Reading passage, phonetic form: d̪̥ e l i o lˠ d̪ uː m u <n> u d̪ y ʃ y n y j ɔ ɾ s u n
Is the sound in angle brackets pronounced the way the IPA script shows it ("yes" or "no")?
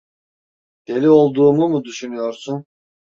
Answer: no